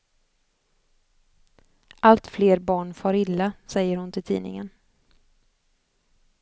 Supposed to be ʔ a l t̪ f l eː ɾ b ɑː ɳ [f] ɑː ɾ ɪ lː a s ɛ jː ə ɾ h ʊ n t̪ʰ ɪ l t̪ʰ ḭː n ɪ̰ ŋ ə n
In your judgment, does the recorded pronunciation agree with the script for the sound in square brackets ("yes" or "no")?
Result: yes